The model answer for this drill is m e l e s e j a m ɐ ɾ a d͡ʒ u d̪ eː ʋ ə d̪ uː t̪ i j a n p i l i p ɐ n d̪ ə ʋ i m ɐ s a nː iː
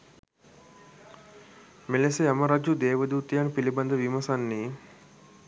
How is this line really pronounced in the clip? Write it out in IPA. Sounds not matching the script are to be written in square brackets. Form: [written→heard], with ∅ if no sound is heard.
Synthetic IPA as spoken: m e l e s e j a m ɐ ɾ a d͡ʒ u d̪ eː ʋ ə d̪ uː t̪ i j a n p i l i [p→b] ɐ n d̪ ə ʋ i m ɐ s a nː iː